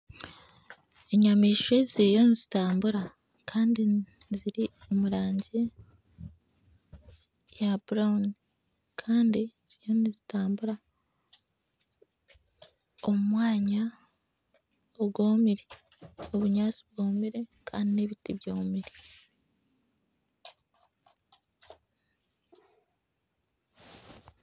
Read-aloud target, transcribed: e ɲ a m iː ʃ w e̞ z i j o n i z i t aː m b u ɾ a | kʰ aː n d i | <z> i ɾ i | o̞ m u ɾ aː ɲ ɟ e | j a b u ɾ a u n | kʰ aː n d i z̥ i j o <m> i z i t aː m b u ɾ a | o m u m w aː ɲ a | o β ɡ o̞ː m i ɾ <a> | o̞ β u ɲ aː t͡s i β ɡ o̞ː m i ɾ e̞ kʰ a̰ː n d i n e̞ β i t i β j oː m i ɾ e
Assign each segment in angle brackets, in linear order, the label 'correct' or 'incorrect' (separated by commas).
correct, incorrect, incorrect